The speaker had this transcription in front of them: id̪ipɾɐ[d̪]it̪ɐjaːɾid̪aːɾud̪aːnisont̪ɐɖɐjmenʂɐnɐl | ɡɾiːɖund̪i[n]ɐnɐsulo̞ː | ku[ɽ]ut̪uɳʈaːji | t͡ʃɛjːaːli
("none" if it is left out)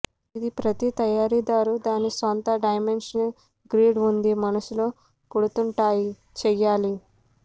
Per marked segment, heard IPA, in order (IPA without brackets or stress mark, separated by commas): t̪, m, ɽ